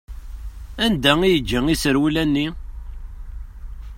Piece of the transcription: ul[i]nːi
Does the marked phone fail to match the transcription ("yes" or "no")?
yes